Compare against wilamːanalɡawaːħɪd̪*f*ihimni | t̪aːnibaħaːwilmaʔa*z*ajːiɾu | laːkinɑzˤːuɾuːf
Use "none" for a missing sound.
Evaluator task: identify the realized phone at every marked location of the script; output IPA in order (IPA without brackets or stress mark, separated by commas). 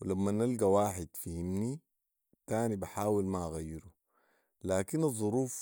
f, ɣ